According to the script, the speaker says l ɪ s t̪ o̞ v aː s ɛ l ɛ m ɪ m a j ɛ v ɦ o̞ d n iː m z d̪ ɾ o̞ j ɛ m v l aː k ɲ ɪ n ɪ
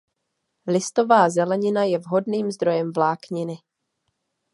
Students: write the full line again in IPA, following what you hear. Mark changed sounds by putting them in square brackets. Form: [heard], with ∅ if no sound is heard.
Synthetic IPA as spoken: l ɪ s t̪ o̞ v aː [z] ɛ l ɛ [ɲ] ɪ [n] a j ɛ v ɦ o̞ d n iː m z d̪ ɾ o̞ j ɛ m v l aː k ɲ ɪ n ɪ